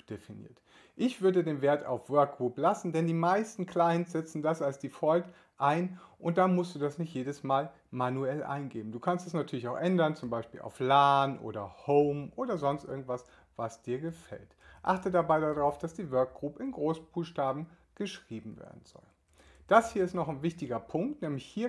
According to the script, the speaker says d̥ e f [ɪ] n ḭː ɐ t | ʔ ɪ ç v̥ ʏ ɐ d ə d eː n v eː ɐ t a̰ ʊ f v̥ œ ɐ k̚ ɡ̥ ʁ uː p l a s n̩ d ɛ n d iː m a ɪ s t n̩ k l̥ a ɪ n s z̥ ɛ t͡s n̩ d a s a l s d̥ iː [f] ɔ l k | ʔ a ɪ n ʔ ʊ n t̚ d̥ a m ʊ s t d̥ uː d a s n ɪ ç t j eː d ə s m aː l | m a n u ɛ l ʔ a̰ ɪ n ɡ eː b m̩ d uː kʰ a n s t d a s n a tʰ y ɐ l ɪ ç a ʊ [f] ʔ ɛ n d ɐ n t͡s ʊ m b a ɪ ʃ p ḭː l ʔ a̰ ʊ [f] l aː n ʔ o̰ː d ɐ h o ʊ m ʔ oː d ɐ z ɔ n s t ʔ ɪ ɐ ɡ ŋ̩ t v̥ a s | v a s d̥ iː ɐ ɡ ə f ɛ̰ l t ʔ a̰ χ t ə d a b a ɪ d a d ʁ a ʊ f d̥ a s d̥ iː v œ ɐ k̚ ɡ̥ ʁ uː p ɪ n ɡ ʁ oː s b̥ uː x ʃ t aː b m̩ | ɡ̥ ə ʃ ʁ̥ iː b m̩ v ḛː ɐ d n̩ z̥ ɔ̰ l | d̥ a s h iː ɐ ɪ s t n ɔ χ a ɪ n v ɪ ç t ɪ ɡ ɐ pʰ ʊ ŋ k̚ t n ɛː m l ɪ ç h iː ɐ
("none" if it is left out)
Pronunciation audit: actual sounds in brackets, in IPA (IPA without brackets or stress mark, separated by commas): i, f, x, f